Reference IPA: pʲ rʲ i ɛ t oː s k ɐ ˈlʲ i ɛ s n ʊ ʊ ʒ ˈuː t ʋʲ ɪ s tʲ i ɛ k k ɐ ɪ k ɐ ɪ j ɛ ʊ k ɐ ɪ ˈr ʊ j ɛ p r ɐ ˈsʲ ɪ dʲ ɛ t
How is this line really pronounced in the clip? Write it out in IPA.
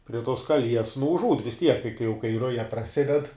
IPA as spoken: pʲ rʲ i ɛ t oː s k ɐ ˈlʲ i ɛ s n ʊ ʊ ʒ ˈuː t ʋʲ ɪ s tʲ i ɛ k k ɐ ɪ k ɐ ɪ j ɛ ʊ k ɐ ɪ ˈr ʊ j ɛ p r ɐ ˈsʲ ɪ dʲ ɛ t

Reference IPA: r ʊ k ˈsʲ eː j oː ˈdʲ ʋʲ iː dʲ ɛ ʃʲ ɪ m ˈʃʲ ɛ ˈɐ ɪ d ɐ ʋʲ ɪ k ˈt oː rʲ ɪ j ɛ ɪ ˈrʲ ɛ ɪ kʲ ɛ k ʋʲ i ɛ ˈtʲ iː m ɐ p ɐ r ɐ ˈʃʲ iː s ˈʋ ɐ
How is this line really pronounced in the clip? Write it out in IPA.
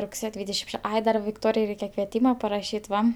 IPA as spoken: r ʊ k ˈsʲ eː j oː ˈdʲ ʋʲ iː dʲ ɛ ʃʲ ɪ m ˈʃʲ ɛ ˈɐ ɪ d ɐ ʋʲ ɪ k ˈt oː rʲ ɪ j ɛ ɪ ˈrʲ ɛ ɪ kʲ ɛ k ʋʲ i ɛ ˈtʲ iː m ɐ p ɐ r ɐ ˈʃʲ iː t ˈʋ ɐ

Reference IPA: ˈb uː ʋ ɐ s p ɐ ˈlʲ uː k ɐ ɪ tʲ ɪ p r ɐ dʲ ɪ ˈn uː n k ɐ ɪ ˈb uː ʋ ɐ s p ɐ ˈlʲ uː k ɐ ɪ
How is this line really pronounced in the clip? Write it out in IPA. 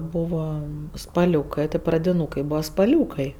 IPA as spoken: ˈb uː ʋ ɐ s p ɐ ˈlʲ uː k ɐ ɪ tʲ ɪ p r ɐ dʲ ɪ ˈn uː k ɐ ɪ ˈb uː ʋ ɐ s p ɐ ˈlʲ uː k ɐ ɪ

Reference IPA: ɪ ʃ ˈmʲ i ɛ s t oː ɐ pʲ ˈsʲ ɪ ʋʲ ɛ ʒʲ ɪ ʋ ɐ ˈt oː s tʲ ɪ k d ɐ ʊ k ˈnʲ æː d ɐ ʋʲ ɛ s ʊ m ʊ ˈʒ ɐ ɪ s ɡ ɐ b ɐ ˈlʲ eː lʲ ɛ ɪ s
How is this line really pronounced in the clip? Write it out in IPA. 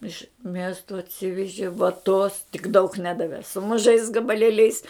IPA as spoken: ɪ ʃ ˈmʲ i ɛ s t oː ɐ tʲ ˈsʲ ɪ ʋʲ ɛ ʒʲ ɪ ʋ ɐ ˈt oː s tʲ ɪ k d ɐ ʊ k ˈnʲ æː d ɐ ʋʲ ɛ s ʊ m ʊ ˈʒ ɐ ɪ s ɡ ɐ b ɐ ˈlʲ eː lʲ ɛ ɪ s

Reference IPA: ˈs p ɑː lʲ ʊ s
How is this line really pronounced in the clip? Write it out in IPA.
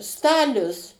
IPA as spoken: ˈs t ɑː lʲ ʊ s

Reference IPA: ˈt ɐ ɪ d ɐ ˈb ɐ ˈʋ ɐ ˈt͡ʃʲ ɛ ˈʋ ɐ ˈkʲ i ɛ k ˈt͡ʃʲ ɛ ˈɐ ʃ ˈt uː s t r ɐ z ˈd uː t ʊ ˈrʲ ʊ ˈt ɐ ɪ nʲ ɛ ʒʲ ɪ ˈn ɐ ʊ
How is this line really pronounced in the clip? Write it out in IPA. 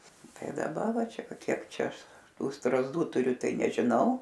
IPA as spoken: ˈt ɐ ɪ d ɐ ˈb ɐ ˈʋ ɐ ˈt͡ʃʲ ɛ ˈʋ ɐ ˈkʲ i ɛ k ˈt͡ʃʲ ɛ ˈɐ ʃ ˈt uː s t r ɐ z ˈd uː t ʊ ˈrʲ ʊ ˈt ɐ ɪ nʲ ɛ ʒʲ ɪ ˈn ɐ ʊ

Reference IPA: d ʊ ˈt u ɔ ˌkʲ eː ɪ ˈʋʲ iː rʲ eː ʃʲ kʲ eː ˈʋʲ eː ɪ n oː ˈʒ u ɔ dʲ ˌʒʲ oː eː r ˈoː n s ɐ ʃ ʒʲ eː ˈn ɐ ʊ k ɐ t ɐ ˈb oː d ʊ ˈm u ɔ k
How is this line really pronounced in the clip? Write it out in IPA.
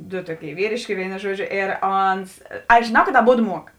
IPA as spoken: d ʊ ˈt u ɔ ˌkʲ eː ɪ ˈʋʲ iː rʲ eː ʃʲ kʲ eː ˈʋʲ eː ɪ n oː ˈʒ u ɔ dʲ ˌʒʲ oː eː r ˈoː n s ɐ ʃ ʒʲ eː ˈn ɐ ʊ k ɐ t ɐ ˈb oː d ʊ ˈm u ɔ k

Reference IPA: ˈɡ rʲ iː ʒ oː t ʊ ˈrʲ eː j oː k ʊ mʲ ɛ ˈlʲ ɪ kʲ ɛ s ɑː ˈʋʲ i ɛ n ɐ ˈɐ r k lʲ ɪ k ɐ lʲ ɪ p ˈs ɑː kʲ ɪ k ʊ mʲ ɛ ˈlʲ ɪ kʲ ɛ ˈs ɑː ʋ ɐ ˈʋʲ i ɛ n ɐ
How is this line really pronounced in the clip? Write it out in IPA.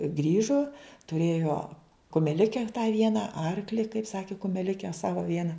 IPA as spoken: ˈɡ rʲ iː ʒ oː t ʊ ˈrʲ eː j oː k ʊ mʲ ɛ ˈlʲ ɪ kʲ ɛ t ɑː ˈʋʲ i ɛ n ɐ ˈɐ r k lʲ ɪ k ɐ ɪ p ˈs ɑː kʲ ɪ k ʊ mʲ ɛ ˈlʲ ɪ kʲ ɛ ˈs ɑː ʋ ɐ ˈʋʲ i ɛ n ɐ

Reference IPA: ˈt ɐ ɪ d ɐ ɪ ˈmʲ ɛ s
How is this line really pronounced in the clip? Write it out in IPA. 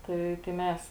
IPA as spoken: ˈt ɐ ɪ t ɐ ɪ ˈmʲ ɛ s

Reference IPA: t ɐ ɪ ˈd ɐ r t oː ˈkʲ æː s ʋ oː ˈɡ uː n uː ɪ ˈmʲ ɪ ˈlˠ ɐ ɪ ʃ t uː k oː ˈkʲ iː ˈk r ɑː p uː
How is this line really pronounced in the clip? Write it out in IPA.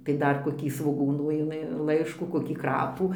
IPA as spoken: t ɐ ɪ ˈd ɐ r k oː ˈkʲ iː s ʋ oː ˈɡ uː n uː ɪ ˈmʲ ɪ ˈlˠ ɐ ɪ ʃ k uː k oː ˈkʲ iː ˈk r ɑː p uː

